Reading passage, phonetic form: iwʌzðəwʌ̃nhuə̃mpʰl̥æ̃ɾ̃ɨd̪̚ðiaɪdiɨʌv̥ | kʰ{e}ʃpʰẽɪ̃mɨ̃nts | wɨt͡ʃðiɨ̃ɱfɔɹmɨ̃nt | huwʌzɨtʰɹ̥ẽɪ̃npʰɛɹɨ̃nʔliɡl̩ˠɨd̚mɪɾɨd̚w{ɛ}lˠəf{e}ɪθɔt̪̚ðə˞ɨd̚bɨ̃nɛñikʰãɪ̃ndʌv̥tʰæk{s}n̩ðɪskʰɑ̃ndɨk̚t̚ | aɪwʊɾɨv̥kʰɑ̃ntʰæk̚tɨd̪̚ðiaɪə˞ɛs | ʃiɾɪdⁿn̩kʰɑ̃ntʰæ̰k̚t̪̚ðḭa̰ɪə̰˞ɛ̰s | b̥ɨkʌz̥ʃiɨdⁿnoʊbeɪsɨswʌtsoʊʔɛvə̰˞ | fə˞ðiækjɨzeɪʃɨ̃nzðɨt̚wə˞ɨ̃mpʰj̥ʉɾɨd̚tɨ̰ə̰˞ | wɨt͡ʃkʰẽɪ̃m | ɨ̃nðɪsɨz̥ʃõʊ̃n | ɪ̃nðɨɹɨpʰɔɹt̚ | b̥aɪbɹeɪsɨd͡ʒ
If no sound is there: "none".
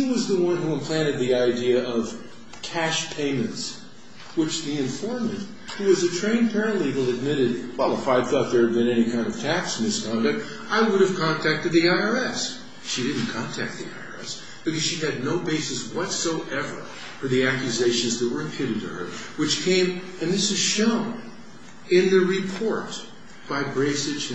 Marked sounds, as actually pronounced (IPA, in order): æ, ɛ, a, s

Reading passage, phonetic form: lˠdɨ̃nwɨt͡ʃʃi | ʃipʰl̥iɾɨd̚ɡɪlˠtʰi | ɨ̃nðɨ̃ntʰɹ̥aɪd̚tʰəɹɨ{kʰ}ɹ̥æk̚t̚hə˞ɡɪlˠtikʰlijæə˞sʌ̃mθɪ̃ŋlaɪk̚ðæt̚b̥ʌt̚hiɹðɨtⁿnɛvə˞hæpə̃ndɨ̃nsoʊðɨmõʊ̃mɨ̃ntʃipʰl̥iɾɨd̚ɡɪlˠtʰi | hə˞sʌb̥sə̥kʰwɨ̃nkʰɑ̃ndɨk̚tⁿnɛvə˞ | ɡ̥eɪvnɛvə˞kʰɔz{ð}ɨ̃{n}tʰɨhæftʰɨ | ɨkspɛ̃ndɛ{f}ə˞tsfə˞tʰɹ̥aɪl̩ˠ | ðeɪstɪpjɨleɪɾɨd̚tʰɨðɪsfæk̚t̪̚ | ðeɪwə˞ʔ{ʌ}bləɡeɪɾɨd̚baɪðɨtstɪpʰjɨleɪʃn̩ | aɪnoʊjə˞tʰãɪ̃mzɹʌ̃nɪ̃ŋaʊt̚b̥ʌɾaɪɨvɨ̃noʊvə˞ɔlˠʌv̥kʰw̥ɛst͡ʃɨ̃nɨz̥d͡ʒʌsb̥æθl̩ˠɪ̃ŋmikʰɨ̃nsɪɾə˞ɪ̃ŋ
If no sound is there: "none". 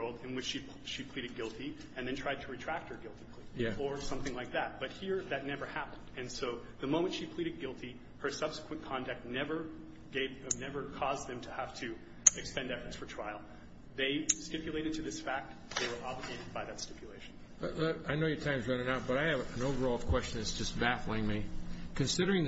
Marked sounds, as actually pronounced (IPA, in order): tʰ, ð, m, f, ɑ

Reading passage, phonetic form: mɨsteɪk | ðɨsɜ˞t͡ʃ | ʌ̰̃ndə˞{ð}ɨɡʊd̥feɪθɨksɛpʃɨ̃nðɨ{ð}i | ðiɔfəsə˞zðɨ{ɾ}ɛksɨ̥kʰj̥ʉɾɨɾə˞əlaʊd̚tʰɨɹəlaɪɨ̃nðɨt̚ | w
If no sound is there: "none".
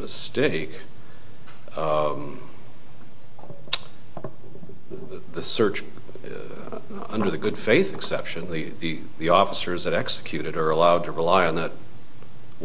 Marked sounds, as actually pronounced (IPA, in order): ð, ð, ɾ

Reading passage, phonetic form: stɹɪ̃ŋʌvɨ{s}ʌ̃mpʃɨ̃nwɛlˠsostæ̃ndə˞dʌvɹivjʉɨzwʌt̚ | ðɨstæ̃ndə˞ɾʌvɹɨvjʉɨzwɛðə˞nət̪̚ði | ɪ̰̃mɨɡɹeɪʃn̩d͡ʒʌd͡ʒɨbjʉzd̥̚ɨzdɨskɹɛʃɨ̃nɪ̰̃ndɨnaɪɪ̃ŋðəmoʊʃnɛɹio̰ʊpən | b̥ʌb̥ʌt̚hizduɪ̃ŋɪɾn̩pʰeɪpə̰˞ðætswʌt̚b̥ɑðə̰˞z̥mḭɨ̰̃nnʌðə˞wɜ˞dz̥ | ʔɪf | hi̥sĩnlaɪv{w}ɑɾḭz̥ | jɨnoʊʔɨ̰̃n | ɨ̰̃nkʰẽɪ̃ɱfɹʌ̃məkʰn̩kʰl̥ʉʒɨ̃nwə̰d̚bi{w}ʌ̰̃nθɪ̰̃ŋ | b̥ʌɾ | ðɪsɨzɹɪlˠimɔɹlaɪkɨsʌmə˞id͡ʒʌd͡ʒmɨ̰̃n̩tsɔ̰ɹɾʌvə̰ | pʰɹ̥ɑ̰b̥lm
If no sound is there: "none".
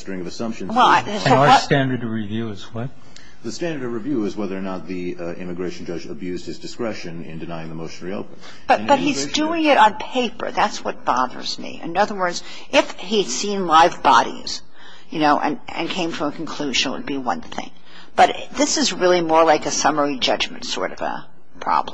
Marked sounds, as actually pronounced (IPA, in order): s, b, w

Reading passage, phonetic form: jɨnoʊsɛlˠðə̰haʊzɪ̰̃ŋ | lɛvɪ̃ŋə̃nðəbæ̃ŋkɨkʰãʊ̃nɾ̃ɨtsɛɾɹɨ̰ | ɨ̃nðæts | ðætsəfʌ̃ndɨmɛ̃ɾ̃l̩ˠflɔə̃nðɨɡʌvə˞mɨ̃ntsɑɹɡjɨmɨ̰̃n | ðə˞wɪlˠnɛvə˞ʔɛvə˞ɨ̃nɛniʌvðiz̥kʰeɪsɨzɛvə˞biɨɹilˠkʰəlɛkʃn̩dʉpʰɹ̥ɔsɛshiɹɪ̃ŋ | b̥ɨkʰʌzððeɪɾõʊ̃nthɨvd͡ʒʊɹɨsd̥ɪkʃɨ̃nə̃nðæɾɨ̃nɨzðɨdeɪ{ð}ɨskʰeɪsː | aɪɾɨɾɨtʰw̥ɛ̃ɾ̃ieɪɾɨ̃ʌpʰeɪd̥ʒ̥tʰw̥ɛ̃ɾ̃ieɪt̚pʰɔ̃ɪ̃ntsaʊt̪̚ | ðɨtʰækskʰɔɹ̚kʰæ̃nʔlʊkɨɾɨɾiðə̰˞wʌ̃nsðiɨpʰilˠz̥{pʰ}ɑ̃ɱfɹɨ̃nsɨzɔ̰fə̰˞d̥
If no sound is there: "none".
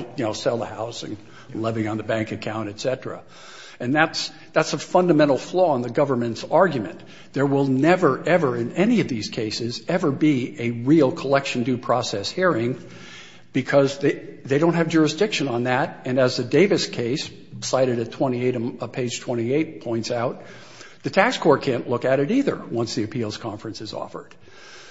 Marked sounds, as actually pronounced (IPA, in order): v, kʰ

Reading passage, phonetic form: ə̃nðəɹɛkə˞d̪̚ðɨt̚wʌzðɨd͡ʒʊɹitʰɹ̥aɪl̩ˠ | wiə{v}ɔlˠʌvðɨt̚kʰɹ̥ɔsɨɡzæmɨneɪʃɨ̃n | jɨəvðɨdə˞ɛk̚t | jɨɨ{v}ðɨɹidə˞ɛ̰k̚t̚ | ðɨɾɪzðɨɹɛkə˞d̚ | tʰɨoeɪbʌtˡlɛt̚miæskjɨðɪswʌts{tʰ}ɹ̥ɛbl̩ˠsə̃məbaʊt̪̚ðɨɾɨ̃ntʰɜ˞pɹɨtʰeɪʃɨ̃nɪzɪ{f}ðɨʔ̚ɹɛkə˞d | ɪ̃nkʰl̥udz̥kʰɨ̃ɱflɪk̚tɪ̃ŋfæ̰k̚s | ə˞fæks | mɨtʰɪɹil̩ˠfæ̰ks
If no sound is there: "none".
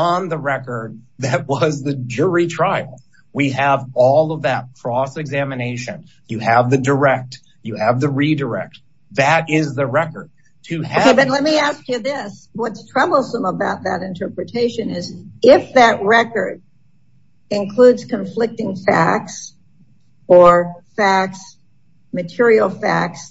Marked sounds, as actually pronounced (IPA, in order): v, v, tʰ, f

